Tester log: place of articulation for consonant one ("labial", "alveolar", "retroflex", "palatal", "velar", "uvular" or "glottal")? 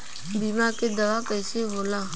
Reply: labial